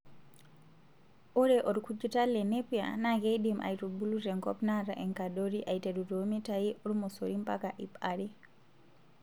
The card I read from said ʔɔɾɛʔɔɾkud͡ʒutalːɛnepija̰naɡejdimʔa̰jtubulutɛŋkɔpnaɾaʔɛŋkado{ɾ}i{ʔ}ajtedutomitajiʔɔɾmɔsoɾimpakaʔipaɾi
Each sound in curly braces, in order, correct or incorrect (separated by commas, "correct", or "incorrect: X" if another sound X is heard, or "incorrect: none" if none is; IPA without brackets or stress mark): correct, correct